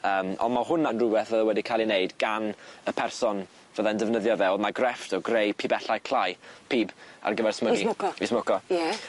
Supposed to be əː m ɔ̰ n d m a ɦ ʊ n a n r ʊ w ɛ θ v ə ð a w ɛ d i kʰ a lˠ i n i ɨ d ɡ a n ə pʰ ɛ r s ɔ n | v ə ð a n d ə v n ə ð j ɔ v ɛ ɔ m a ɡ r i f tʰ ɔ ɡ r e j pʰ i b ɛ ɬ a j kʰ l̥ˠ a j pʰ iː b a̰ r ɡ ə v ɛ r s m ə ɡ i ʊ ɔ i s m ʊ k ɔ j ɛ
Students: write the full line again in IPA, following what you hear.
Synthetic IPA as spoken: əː m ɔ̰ n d m a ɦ ʊ n a n r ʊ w ɛ θ v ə ð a w ɛ d i kʰ a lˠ i n e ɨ d ɡ a n ə pʰ ɛ r s ɔ n | v ə ð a n d ə v n ə ð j ɔ v ɛ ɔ m a ɡ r ɛ f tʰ ɔ ɡ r e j pʰ i b ɛ ɬ a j kʰ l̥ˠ a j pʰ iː b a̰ r ɡ ə v ɛ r s m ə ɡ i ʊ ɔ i s m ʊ k ɔ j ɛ